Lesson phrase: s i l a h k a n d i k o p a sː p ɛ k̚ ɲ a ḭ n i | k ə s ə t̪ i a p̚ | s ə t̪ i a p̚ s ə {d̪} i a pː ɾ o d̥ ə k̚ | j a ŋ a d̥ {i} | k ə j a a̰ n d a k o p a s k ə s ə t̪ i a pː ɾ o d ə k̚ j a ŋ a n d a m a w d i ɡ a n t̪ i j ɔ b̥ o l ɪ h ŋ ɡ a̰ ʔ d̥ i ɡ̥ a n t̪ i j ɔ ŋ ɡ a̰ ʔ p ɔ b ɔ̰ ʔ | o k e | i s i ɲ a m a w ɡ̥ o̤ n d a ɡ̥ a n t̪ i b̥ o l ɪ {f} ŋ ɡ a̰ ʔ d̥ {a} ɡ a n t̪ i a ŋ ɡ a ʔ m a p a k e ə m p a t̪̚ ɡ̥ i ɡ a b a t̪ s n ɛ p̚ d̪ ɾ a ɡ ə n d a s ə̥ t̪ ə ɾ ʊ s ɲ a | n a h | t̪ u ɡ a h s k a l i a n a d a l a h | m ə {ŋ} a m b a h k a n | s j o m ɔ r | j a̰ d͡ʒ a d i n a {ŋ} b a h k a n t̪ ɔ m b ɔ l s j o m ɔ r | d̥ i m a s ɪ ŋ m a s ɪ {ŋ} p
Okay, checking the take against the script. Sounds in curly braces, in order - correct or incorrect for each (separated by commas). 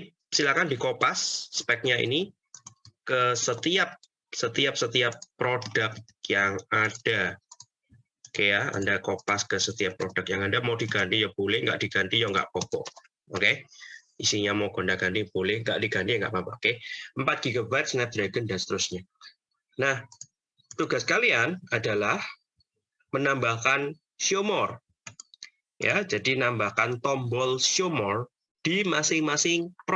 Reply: incorrect, incorrect, incorrect, incorrect, incorrect, incorrect, correct